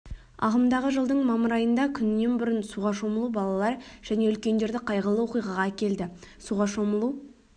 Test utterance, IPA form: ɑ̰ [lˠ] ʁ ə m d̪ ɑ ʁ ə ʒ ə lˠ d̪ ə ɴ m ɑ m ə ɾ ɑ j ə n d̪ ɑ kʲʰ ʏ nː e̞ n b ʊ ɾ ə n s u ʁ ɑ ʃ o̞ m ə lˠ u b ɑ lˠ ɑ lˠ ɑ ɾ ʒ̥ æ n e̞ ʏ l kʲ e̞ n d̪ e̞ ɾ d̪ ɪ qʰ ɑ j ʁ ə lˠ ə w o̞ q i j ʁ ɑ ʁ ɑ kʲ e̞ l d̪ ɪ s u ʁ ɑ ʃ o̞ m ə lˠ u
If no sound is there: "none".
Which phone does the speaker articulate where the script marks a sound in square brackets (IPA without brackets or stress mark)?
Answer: none